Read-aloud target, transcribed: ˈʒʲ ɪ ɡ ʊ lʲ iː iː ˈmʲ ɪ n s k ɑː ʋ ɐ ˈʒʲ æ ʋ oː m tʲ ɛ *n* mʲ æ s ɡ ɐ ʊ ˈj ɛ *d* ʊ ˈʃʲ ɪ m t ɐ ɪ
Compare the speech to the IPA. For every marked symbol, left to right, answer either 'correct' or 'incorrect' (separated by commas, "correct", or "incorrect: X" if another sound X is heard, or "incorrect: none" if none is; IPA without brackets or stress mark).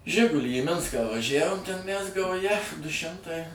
correct, correct